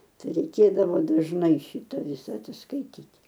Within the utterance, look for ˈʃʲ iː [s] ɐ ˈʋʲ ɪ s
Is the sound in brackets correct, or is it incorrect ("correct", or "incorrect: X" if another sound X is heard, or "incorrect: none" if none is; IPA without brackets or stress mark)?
incorrect: t